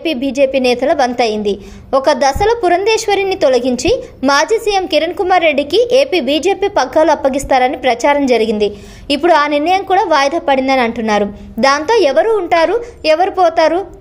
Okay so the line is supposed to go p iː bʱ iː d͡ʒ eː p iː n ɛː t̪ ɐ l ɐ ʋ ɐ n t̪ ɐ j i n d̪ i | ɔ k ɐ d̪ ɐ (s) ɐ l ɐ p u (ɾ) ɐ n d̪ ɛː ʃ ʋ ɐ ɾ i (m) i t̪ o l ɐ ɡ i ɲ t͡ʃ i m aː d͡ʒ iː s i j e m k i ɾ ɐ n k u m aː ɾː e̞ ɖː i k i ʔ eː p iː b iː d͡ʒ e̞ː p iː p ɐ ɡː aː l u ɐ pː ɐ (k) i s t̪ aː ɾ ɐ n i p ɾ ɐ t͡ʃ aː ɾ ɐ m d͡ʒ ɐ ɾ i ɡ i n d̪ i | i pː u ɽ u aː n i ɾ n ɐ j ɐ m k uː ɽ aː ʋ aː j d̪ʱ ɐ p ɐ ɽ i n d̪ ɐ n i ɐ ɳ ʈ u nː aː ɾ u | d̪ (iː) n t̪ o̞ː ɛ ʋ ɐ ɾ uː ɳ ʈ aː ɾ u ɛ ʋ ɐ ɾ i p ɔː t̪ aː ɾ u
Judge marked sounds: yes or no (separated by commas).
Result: yes, yes, no, no, no